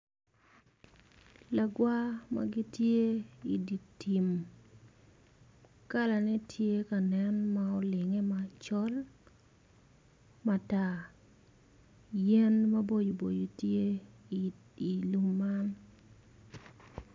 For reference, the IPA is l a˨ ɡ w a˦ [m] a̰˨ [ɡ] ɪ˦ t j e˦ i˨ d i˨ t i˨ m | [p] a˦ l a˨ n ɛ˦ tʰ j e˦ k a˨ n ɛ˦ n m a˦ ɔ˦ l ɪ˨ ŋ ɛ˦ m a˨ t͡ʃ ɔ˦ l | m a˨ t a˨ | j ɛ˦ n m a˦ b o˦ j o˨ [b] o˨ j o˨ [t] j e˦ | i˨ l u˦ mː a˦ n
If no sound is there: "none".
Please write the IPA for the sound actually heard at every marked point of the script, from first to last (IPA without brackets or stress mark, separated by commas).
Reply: m, ɡ, k, b, t